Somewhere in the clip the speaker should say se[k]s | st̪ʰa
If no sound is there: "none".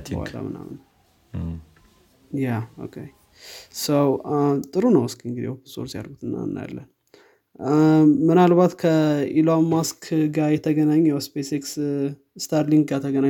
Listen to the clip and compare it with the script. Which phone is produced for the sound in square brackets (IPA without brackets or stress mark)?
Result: k